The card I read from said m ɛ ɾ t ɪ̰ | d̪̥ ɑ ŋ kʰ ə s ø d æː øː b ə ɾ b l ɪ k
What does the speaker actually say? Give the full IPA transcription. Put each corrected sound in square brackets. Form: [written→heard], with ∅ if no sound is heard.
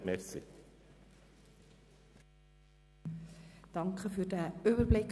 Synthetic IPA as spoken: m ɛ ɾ [t→s] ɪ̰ | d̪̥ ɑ ŋ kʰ ə [s→f] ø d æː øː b ə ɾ b l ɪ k